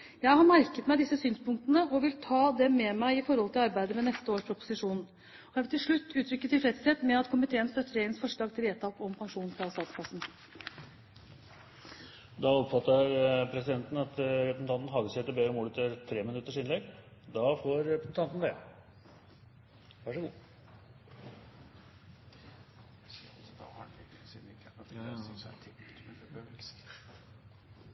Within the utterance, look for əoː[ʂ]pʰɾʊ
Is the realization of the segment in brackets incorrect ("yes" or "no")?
no